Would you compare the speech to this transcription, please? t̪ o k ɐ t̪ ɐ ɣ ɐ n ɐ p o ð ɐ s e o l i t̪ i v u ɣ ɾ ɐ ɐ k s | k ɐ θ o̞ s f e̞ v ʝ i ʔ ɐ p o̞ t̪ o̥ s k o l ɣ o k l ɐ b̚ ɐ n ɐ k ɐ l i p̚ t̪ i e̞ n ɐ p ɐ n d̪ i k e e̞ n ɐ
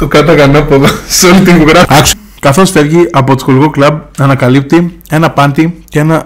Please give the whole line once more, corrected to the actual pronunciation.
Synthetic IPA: t̪ o k ɐ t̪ ɐ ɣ ɐ n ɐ p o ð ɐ s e o l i t̪ i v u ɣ ɾ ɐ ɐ k s | k ɐ θ o̞ s f e̞ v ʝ i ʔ ɐ p o̞ t̪ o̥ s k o l ɣ o k l ɐ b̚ ɐ n ɐ k ɐ l i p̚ t̪ i e̞ n ɐ p ɐ n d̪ i c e e̞ n ɐ